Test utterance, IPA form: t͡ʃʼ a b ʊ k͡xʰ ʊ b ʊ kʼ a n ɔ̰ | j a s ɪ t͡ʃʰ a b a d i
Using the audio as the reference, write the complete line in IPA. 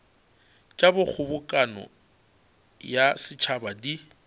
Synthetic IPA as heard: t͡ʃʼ a b ʊ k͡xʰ ʊ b ʊ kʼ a n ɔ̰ | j a s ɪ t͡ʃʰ a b a d i